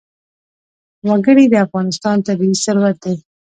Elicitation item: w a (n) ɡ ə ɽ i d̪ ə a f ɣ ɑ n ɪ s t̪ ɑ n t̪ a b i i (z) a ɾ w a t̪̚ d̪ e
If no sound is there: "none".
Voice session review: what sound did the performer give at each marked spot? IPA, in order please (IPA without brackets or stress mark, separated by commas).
none, s